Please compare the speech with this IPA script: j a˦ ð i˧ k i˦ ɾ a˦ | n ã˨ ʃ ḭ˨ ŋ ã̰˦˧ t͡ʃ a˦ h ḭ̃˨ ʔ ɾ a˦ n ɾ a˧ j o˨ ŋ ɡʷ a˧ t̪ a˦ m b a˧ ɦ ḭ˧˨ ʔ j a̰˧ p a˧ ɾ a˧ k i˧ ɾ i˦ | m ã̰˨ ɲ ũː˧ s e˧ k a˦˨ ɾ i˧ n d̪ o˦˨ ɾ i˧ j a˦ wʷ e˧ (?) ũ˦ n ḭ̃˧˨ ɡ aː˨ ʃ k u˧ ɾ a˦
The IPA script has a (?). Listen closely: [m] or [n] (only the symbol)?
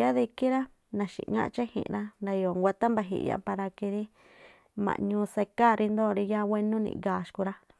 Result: n